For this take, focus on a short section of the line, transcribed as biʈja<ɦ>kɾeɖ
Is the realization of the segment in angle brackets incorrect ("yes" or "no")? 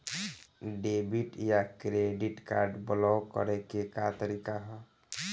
yes